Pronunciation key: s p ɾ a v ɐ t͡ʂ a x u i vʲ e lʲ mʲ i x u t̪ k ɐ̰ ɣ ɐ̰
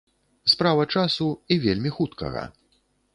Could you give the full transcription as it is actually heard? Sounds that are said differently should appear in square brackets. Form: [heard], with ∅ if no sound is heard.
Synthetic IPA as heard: s p ɾ a v ɐ t͡ʂ a [s] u i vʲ e lʲ mʲ i x u t̪ k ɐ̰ ɣ ɐ̰